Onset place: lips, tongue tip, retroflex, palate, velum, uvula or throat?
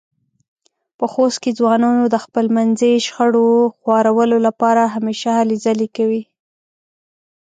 lips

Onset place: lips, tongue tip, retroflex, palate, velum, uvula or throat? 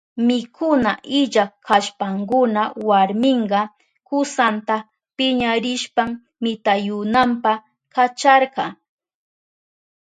lips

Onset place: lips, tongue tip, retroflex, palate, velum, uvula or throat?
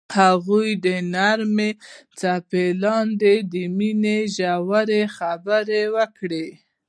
throat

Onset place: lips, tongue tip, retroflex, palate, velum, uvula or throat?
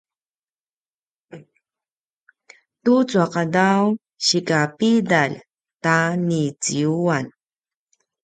tongue tip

